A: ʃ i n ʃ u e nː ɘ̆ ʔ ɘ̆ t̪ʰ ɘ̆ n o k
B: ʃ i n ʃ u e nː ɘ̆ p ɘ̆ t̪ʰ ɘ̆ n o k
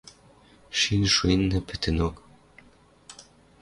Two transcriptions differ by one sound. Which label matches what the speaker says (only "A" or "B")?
B